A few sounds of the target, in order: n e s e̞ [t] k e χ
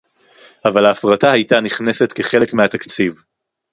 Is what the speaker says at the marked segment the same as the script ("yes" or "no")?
yes